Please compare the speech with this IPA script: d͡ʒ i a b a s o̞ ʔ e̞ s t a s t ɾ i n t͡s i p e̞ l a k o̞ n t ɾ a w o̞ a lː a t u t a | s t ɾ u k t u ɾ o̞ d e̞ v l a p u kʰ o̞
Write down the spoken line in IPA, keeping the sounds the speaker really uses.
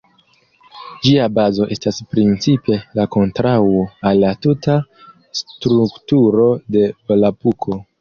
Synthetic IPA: d͡ʒ i a b a z o̞ ʔ e̞ s t a s p ɾ i n t͡s i p e̞ l a k o̞ n t ɾ a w o̞ a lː a t u t a | s t ɾ u k t u ɾ o̞ d e̞ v l a p u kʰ o̞